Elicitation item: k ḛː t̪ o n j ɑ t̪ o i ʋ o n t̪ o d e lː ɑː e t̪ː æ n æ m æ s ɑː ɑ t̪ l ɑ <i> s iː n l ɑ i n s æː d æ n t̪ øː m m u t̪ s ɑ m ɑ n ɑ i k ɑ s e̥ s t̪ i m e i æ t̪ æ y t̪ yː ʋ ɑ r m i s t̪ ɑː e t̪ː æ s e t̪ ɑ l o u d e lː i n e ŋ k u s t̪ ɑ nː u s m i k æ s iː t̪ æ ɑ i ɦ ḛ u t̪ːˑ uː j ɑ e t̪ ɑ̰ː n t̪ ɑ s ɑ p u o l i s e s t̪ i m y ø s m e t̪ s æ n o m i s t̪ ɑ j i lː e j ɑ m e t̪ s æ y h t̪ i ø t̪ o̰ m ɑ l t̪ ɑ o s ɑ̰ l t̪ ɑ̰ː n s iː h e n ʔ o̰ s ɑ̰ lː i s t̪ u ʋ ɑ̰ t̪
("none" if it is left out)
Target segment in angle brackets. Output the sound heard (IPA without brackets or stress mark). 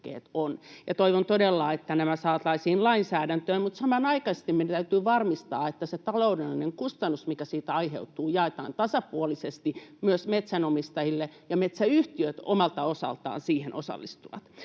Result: i